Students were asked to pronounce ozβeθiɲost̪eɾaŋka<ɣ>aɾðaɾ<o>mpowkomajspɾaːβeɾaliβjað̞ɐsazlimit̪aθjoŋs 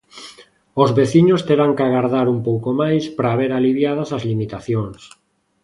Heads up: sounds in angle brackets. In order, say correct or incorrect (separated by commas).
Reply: correct, incorrect